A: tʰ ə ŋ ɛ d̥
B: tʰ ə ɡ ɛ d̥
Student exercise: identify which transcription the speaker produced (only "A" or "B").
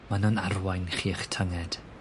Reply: A